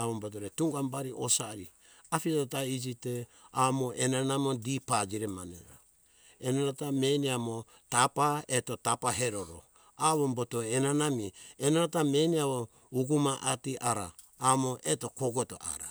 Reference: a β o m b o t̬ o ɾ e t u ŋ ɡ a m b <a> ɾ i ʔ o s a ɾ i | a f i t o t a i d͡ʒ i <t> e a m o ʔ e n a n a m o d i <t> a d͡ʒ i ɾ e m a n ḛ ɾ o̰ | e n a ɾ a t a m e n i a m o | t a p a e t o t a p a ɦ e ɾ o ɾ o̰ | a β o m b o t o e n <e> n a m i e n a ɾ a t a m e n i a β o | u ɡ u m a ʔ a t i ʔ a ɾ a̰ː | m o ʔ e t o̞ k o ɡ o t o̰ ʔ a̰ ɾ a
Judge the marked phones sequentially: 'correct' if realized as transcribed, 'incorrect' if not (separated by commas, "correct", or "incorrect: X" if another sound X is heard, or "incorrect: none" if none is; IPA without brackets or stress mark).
correct, correct, incorrect: p, incorrect: a